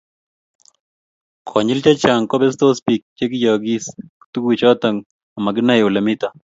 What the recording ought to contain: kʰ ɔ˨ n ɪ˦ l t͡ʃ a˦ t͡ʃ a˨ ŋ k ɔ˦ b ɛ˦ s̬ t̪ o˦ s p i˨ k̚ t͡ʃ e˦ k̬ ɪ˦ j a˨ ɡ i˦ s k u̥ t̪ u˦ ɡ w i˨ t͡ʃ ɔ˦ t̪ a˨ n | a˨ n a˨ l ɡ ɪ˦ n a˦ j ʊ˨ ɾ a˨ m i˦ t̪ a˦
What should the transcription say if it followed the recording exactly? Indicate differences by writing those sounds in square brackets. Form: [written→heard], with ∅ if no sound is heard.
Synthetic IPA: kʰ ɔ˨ [n→ɲ] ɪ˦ l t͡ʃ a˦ t͡ʃ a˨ ŋ k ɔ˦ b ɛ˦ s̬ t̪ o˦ s p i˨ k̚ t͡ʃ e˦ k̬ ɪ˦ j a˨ ɡ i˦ s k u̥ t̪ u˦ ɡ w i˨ t͡ʃ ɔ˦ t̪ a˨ [n→ŋ] | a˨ [n→m] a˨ [l→∅] ɡ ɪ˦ n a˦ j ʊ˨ [ɾ→l] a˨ m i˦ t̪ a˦